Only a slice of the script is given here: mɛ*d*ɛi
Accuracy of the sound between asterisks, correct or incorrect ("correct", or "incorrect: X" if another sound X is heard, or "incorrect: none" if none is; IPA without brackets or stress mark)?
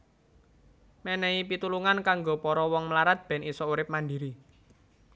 incorrect: n